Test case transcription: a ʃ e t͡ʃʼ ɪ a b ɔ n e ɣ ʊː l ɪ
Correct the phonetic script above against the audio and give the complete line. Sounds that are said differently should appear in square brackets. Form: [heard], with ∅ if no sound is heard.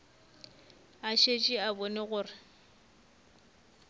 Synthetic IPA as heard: a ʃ e t͡ʃʼ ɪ a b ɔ n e ɣ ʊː [r] ɪ